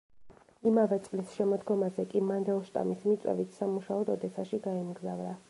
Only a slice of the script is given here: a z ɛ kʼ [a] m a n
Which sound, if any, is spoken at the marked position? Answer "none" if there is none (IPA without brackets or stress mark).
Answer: i